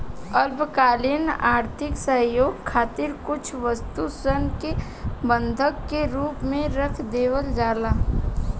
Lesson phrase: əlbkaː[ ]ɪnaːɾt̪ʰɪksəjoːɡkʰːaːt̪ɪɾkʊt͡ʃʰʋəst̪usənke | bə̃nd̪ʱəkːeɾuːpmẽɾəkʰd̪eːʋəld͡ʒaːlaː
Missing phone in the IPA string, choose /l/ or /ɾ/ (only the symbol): l